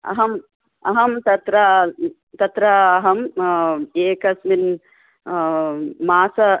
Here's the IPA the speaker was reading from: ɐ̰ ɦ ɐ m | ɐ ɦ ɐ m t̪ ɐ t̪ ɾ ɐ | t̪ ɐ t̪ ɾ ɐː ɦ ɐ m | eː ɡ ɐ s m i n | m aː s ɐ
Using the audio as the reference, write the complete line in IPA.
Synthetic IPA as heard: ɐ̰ ɦ ɐ m | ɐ ɦ ɐ m t̪ ɐ t̪ ɾ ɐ | t̪ ɐ t̪ ɾ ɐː ɦ ɐ m | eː k ɐ s m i n | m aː s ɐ